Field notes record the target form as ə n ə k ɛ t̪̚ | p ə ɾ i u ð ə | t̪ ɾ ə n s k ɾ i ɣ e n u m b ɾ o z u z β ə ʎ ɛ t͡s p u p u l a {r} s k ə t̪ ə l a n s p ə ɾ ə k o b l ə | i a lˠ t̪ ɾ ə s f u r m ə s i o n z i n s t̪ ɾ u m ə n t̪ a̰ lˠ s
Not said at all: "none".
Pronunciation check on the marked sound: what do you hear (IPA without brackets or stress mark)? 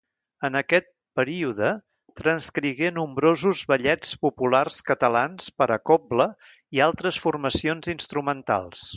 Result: r